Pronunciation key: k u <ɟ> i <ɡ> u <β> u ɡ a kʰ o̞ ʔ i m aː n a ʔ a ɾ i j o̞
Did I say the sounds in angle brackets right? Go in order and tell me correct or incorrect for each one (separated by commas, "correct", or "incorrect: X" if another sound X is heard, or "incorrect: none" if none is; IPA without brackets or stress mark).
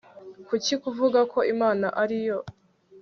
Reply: incorrect: c, incorrect: k, incorrect: v